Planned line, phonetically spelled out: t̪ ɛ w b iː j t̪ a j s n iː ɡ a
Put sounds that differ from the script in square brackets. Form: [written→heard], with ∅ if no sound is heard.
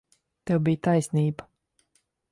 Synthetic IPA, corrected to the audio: t̪ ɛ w b [iː→i] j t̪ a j s n iː [ɡ→b] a